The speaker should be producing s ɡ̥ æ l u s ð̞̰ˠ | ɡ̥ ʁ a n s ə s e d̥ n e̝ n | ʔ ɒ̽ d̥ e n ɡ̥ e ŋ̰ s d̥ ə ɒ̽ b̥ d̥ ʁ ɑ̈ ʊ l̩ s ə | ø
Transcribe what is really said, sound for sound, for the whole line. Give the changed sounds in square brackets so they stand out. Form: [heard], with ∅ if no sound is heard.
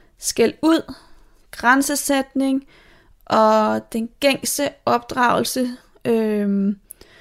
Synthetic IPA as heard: s ɡ̥ æ l u [∅] ð̞̰ˠ | ɡ̥ ʁ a n s ə s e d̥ n e̝ [ŋ] | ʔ ɒ̽ d̥ e n ɡ̥ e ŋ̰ s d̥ ə ɒ̽ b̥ d̥ ʁ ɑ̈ ʊ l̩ s ə | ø